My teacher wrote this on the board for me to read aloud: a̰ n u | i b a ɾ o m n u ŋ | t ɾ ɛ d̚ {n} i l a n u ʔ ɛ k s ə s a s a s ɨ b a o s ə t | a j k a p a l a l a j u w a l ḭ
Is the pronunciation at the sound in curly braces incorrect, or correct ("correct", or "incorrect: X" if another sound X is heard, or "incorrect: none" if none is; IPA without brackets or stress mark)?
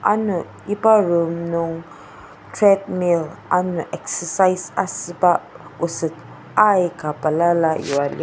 incorrect: m